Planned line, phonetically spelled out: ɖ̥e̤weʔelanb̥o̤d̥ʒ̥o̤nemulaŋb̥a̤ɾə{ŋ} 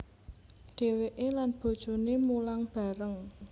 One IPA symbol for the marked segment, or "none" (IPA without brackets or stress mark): ŋ